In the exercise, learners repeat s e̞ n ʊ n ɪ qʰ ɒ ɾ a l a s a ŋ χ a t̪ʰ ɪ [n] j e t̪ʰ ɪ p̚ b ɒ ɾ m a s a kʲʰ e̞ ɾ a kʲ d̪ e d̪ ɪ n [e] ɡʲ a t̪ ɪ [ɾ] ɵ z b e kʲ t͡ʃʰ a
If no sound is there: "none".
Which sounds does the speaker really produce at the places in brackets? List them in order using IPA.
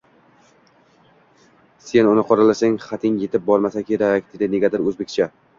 ŋ, e, ɾ

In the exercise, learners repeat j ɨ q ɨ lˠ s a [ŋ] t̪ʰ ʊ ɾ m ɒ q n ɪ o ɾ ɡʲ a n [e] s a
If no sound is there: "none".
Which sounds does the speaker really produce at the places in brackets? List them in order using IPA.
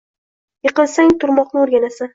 ŋ, a

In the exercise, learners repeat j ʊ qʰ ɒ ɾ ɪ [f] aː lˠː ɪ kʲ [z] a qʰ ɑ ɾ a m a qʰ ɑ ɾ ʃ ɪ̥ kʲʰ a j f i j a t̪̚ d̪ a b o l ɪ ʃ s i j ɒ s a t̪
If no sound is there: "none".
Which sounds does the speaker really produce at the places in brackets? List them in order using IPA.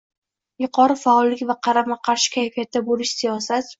f, v

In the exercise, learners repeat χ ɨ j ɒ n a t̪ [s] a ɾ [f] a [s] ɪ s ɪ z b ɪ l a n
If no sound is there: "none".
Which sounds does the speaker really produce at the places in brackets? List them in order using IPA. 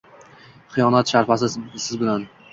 ʃ, f, s

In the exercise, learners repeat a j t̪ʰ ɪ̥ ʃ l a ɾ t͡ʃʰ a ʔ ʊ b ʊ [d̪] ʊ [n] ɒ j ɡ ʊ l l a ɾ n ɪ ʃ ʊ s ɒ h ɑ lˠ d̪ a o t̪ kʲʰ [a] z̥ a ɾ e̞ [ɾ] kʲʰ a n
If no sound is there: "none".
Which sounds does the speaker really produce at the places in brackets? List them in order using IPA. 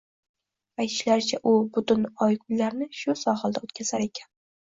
t̪, n, a, none

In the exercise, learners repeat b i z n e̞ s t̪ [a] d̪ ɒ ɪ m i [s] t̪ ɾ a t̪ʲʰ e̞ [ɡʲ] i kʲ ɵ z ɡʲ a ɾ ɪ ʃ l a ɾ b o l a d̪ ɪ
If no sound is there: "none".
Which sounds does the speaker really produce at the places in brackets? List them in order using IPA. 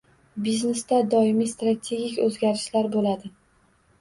a, s, ɡʲ

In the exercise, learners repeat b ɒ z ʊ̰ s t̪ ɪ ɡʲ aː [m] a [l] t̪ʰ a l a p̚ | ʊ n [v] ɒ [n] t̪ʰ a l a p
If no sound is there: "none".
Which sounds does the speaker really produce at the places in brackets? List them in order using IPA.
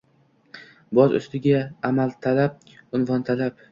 m, l, v, n

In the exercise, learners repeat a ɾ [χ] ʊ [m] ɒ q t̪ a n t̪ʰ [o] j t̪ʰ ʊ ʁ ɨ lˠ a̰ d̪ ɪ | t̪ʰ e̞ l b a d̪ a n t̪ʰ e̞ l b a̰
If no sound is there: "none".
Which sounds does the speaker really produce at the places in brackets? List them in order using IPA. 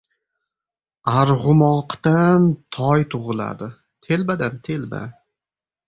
ʁ, m, ɒ

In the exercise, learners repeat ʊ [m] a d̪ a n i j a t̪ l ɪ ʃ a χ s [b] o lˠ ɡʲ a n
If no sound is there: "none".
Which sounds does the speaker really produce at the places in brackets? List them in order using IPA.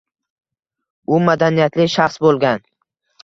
m, b

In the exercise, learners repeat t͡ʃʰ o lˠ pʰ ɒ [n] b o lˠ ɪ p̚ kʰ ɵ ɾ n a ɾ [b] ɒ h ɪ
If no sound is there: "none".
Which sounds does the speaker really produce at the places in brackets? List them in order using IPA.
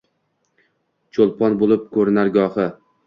n, ɡ

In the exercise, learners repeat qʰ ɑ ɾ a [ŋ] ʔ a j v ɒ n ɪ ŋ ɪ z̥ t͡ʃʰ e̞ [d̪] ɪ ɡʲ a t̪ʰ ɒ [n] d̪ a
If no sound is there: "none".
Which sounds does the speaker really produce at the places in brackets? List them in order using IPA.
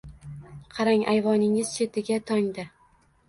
ŋ, t̪, ŋ

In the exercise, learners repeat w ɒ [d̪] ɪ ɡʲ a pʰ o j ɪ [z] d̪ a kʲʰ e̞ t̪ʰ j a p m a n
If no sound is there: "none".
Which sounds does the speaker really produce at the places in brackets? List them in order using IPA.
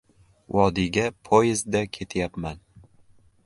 d̪, z

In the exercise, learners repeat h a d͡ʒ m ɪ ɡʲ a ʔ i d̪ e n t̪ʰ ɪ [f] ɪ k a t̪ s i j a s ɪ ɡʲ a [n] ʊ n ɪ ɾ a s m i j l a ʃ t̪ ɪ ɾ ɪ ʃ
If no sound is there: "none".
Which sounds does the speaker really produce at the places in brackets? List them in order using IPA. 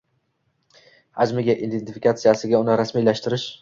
f, none

